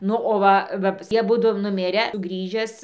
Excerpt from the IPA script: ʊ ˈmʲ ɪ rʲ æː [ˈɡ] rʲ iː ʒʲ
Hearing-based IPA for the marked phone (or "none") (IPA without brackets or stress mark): ɡ